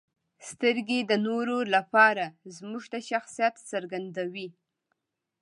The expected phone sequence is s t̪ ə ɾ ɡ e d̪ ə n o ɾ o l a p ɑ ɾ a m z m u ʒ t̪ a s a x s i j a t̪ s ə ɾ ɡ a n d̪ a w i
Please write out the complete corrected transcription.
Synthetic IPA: s t̪ ə ɾ ɡ e d̪ ə n o ɾ o l a p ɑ ɾ a z m u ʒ t̪ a ʃ a x s i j a t̪ s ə ɾ ɡ a n d̪ a w i